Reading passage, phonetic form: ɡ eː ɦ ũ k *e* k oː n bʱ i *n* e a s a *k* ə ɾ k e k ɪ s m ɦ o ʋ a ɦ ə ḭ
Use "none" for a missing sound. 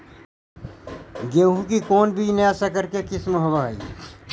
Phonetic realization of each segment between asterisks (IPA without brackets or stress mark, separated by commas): i, n, k